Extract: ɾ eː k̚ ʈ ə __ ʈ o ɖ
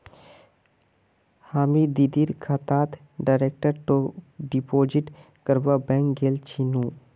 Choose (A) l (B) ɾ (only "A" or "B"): B